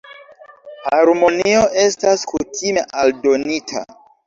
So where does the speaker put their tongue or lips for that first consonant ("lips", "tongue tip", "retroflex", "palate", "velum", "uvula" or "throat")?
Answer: throat